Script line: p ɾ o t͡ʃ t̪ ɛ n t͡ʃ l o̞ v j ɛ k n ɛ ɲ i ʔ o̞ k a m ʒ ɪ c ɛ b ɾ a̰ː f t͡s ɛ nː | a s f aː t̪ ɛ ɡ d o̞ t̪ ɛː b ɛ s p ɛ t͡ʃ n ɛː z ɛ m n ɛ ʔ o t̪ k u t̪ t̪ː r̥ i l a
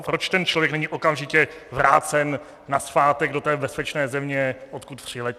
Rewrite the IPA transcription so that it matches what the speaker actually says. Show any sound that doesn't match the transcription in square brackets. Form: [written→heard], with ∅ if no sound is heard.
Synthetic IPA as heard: p ɾ o t͡ʃ t̪ ɛ n t͡ʃ l o̞ v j ɛ k n ɛ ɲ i ʔ o̞ k a m ʒ ɪ c ɛ [b→v] ɾ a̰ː [f→∅] t͡s ɛ nː | a s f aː t̪ ɛ ɡ d o̞ t̪ ɛː b ɛ s p ɛ t͡ʃ n ɛː z ɛ m [n→ɲ] ɛ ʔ o t̪ k u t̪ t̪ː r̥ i l [a→ɛ]